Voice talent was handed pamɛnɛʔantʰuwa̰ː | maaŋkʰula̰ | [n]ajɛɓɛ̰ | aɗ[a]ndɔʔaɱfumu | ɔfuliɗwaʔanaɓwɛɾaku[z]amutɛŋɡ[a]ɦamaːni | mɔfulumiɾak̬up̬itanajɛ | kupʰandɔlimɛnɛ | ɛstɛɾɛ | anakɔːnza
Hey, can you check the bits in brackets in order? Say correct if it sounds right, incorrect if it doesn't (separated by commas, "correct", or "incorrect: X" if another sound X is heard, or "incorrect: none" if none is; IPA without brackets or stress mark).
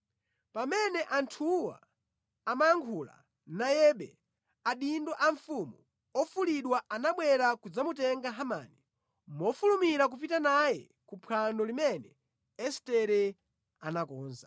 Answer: correct, incorrect: i, incorrect: d͡z, correct